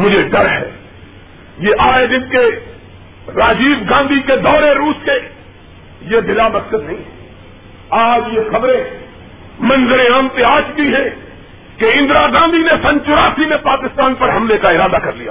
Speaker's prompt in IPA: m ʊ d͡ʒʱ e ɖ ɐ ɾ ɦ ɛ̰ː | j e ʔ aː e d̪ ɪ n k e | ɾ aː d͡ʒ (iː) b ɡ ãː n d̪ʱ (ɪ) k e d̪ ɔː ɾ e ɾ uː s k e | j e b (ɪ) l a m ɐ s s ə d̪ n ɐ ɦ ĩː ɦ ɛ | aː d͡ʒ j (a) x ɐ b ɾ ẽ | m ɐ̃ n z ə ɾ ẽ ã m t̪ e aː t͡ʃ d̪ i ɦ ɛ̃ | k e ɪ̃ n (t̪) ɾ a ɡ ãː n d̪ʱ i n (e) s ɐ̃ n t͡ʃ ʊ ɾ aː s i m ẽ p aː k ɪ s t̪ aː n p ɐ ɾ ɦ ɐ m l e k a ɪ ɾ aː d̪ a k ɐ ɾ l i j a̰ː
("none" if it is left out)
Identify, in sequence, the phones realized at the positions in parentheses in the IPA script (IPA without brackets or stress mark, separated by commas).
iː, i, ɪ, e, d̪, e